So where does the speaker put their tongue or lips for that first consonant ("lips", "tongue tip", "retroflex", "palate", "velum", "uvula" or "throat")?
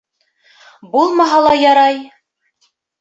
lips